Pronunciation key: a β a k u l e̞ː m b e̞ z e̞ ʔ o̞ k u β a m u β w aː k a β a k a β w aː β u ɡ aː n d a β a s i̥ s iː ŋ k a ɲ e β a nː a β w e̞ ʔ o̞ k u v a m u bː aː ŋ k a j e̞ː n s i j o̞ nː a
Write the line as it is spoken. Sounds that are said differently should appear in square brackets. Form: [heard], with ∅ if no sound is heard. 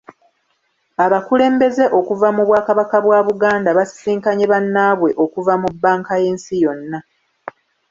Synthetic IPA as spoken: a β a k u l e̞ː m b e̞ z e̞ ʔ o̞ k u [v] a m u β w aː k a β a k a β w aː β u ɡ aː n d a β a s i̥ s iː ŋ k a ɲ e β a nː a β w e̞ ʔ o̞ k u v a m u bː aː ŋ k a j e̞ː n s i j o̞ nː a